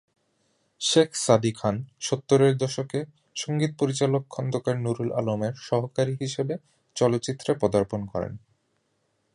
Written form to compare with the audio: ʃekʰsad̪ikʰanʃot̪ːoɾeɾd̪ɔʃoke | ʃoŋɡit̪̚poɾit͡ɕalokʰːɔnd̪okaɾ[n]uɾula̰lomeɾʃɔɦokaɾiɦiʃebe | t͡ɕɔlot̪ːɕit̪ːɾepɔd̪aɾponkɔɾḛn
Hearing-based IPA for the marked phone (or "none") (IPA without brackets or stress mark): n